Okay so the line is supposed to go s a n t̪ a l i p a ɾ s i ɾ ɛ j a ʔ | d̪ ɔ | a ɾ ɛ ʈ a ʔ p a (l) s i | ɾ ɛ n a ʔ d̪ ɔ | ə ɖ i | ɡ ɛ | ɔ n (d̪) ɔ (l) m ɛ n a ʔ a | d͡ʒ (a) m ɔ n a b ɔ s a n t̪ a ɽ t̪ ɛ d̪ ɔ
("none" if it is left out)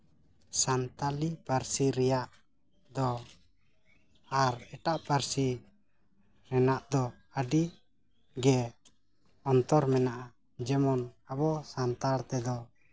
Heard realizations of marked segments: ɾ, t̪, ɾ, ɛ

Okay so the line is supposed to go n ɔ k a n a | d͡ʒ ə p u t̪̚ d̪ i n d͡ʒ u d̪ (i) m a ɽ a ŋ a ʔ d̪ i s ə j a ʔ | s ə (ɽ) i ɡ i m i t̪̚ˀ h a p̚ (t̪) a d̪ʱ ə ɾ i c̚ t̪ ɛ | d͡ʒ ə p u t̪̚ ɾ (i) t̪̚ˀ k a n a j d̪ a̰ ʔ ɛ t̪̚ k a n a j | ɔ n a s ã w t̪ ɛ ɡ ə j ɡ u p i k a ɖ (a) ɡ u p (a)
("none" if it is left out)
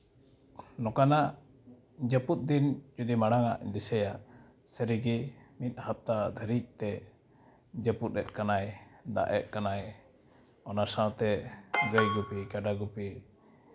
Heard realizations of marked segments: i, ɾ, t̪, ɛ, a, i

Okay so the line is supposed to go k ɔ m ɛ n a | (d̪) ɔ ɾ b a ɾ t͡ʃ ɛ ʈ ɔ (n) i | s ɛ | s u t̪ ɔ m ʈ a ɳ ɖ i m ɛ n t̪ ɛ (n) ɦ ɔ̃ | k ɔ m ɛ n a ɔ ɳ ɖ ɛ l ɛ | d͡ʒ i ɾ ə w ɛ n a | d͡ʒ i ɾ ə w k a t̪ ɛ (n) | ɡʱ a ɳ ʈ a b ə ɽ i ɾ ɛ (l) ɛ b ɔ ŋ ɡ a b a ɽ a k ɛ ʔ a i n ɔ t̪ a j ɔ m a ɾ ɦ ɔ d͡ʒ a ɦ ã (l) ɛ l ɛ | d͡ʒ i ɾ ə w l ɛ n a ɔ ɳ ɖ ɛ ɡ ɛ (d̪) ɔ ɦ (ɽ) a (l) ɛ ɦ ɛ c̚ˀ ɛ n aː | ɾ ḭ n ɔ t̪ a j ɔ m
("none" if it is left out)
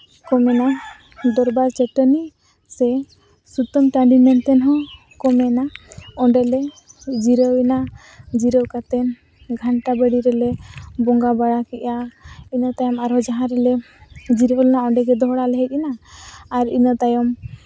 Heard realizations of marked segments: d̪, n, n, n, l, ɾ, d̪, ɽ, l

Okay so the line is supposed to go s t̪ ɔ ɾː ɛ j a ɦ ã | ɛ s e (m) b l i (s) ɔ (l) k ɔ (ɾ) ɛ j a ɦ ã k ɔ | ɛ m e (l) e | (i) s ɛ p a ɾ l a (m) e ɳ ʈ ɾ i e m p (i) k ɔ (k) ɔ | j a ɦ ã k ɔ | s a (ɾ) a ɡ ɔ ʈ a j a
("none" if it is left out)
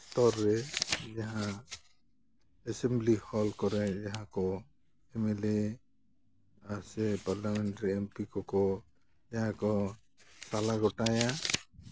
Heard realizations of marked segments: m, h, l, ɾ, l, a, m, i, k, l

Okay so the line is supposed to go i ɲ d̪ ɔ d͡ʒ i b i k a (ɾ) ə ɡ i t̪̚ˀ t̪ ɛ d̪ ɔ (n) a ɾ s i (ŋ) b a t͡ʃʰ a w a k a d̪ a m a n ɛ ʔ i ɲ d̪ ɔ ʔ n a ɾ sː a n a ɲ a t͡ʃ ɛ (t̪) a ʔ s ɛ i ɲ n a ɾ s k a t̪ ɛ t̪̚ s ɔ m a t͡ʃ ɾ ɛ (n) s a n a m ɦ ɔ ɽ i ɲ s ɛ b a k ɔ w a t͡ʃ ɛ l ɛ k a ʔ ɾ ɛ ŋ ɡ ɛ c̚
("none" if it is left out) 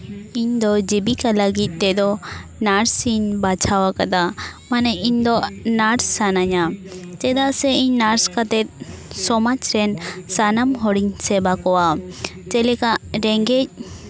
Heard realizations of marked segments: l, n, ɲ, d̪, n

